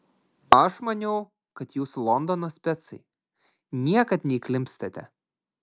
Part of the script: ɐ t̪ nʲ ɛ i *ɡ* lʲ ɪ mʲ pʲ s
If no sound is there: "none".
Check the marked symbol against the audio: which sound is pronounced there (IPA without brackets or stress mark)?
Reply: k